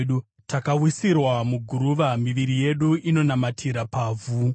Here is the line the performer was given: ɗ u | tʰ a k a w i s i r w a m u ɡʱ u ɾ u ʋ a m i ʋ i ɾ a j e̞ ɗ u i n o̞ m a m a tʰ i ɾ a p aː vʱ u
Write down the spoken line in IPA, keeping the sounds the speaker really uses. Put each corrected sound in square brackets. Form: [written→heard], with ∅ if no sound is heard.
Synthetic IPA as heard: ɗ u | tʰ a k a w i s i r w a m u ɡʱ u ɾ u ʋ a m i ʋ i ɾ [a→i] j e̞ ɗ u i n o̞ [m→n] a m a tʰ i ɾ a p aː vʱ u